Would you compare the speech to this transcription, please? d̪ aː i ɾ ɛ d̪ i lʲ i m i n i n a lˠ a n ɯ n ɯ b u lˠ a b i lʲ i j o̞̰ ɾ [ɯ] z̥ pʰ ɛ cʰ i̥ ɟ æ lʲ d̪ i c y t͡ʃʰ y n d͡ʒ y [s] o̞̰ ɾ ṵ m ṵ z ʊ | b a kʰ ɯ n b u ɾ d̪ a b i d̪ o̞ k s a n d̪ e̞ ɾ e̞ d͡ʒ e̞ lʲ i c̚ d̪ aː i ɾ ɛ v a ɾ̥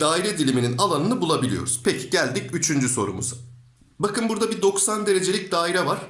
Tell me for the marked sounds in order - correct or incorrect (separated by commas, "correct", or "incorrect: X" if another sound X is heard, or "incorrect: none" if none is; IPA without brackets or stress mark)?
incorrect: u, correct